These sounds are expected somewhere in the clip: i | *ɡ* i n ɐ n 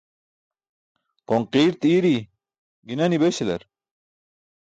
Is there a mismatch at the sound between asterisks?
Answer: no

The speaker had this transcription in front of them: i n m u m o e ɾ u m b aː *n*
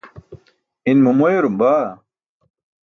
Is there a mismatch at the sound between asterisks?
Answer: yes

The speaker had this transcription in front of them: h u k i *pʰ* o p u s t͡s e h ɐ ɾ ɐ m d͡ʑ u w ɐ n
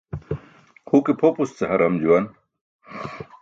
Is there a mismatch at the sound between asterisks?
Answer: no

